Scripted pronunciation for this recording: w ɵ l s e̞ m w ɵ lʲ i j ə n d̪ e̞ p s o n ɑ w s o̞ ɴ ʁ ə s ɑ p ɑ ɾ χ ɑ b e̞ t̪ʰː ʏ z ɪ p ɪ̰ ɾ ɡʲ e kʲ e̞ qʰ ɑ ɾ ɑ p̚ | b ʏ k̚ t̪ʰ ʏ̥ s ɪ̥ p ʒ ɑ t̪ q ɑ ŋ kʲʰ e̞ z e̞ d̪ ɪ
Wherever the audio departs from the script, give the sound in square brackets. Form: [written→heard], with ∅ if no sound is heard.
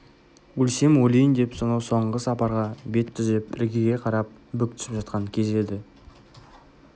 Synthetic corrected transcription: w ɵ l s e̞ m w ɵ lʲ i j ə n d̪ e̞ p s o n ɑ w s o̞ ɴ ʁ ə s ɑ p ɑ ɾ [χ→ʁ] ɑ b e̞ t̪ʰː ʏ z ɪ p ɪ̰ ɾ ɡʲ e [kʲ→ɡʲ] e̞ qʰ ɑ ɾ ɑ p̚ | b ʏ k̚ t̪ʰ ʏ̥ s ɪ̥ p ʒ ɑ t̪ q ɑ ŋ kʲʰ e̞ z e̞ d̪ ɪ